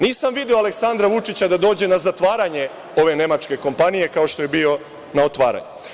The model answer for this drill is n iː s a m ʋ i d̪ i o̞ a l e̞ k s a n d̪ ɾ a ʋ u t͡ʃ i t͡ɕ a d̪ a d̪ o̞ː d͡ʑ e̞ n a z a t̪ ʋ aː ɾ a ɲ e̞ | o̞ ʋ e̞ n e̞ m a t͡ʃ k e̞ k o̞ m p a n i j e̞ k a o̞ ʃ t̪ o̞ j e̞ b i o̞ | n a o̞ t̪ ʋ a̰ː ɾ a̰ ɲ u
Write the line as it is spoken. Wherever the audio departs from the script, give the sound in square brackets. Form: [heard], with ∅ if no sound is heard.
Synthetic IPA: n iː s a m ʋ i d̪ i o̞ a l e̞ k s a n d̪ ɾ a ʋ u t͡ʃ i t͡ɕ a d̪ a d̪ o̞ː d͡ʑ e̞ n a z a t̪ ʋ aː ɾ a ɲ e̞ | o̞ ʋ e̞ n e̞ m a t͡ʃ k e̞ k o̞ m p a n i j e̞ k a o̞ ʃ t̪ o̞ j e̞ b i o̞ | n a o̞ t̪ ʋ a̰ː ɾ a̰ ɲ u